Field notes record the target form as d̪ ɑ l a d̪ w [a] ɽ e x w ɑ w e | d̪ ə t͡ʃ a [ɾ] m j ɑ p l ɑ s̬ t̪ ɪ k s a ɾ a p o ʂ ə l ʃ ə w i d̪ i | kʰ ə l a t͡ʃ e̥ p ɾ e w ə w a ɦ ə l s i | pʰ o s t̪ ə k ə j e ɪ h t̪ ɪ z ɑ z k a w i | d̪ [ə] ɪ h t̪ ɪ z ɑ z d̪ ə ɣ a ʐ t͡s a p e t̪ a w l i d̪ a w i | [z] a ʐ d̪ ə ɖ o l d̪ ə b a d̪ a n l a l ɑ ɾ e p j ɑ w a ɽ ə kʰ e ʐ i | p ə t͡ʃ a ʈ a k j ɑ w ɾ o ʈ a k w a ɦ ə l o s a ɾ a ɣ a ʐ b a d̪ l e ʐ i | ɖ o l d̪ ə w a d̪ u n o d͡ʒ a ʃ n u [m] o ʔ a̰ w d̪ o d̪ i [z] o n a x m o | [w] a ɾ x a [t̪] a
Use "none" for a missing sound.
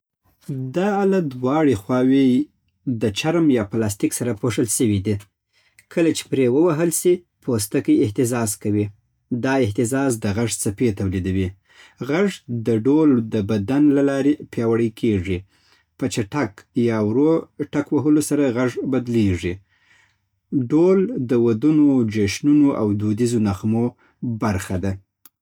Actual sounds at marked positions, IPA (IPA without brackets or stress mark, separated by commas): ɑ, ɾ, ɑ, ɣ, n, z, b, d̪